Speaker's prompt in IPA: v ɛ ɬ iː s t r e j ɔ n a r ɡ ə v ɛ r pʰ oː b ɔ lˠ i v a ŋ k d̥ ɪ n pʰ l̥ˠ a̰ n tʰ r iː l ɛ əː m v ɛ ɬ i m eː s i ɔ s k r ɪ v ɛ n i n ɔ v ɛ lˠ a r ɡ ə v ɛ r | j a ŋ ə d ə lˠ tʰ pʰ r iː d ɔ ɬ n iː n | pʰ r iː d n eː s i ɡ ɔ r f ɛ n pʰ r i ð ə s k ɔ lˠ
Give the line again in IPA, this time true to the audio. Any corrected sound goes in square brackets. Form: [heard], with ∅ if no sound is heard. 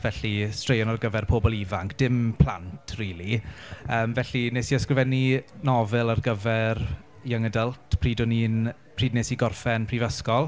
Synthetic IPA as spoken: v ɛ ɬ [i] s t r e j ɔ n a r ɡ ə v ɛ r pʰ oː b ɔ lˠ i v a ŋ k d̥ ɪ [m] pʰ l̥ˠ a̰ n tʰ r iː l [i] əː m v ɛ ɬ i [n] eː s i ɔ s k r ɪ v ɛ n i n ɔ v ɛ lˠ a r ɡ ə v ɛ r | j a ŋ ə d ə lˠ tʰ pʰ r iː d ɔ [∅] n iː n | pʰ r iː d n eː s i ɡ ɔ r f ɛ n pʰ r i [v] ə s k ɔ lˠ